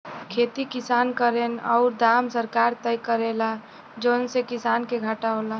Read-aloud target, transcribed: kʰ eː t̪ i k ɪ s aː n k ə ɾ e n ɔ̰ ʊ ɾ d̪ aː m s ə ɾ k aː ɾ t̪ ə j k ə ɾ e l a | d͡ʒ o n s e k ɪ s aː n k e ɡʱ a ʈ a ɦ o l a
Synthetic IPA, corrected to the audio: kʰ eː t̪ i k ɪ s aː n k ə ɾ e n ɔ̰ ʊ ɾ d̪ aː m s ə ɾ k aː ɾ t̪ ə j k ə ɾ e l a | d͡ʒ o n s e k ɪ s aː n k e ɡʱ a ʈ a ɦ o l a